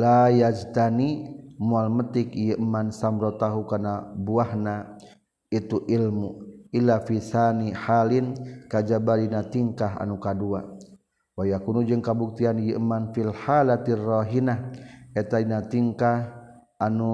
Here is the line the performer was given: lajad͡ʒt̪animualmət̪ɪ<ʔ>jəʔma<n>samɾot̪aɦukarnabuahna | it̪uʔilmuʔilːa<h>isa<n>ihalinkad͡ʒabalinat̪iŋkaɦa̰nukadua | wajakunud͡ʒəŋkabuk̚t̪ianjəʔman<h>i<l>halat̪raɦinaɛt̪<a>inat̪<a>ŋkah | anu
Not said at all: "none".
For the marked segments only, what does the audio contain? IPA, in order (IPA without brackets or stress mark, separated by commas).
k, n, f, n, f, l, a, i